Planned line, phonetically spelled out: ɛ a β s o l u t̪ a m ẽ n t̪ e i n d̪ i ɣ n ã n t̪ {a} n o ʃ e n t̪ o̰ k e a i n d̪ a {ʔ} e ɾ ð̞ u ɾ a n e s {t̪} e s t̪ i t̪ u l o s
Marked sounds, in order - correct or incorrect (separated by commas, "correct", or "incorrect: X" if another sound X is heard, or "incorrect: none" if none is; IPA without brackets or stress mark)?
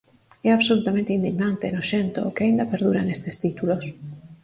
incorrect: e, incorrect: p, correct